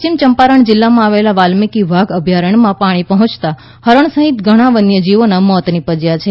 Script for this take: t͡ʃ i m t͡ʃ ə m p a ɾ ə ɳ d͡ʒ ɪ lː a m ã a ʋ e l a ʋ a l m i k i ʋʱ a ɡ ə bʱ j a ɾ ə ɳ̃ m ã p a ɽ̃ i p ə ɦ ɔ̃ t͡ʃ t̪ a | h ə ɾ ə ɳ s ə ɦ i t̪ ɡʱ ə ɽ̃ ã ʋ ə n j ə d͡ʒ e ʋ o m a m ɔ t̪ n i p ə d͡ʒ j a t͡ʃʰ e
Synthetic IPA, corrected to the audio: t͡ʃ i m t͡ʃ ə m p a ɾ ə ɳ d͡ʒ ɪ lː a m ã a ʋ e l a ʋ a l m i k i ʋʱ a ɡ ə bʱ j a ɾ ə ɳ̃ m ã p a ɽ̃ i p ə ɦ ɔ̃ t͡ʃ t̪ a | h ə ɾ ə ɳ s ə ɦ i t̪ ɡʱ ə ɽ̃ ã ʋ ə n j ə d͡ʒ i ʋ o n a m ɔ t̪ n i p ə d͡ʒ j a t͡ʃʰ e